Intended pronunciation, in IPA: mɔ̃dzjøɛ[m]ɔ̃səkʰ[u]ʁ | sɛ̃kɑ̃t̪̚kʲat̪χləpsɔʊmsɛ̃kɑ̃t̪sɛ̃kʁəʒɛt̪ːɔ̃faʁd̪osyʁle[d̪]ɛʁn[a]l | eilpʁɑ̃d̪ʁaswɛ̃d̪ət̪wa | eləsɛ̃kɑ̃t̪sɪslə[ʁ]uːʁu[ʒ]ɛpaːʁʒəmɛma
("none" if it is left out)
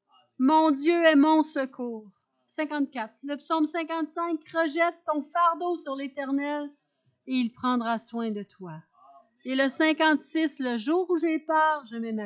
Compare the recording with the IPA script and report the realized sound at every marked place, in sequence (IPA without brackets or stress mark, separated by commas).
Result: m, uː, t̪, ɛ, ʒ, ʒ